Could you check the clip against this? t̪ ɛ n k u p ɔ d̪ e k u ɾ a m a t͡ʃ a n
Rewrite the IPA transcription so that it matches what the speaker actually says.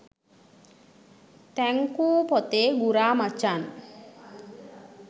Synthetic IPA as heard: t̪ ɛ ŋ k u p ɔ t̪ e ɡ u ɾ a m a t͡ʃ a n